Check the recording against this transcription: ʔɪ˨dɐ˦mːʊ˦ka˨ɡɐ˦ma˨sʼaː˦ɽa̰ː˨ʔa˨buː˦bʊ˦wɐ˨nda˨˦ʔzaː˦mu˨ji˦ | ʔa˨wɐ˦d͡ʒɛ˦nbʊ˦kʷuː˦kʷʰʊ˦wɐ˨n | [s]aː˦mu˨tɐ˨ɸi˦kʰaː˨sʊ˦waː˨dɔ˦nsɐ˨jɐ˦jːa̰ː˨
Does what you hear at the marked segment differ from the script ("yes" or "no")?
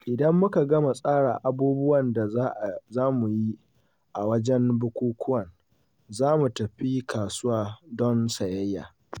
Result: yes